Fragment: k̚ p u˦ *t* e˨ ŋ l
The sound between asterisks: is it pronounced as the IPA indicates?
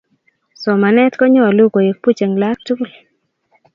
no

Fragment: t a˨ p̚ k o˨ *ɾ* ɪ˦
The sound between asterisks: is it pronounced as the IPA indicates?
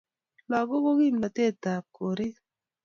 yes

